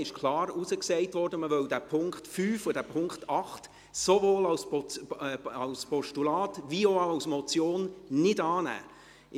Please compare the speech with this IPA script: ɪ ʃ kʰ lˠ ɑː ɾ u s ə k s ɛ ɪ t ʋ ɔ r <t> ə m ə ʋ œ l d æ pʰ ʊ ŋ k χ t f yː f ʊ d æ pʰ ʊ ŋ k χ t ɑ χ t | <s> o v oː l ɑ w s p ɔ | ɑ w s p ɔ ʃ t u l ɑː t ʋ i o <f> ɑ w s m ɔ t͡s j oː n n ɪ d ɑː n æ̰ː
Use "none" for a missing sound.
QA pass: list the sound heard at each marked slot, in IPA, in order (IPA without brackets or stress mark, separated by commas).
d, s, none